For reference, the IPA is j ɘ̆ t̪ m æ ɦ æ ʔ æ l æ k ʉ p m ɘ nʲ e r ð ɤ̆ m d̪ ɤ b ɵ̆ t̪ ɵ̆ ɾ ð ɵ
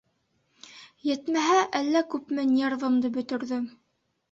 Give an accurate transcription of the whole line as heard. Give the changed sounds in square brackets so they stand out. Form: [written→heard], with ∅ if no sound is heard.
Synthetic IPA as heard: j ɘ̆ t̪ m æ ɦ æ ʔ æ [l→lː] æ k ʉ p m ɘ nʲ e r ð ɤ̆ m d̪ ɤ b ɵ̆ t̪ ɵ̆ ɾ ð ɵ